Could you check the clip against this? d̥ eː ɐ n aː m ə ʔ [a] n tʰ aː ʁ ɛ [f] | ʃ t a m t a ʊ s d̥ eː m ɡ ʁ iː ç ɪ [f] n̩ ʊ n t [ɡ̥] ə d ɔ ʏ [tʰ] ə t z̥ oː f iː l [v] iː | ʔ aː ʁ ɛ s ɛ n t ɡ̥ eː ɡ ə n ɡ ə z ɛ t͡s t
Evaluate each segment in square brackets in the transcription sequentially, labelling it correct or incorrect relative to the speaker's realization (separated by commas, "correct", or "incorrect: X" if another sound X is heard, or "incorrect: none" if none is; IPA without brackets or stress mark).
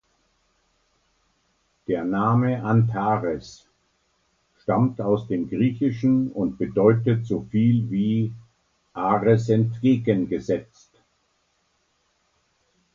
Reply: correct, incorrect: s, incorrect: ʃ, incorrect: b̥, incorrect: t, correct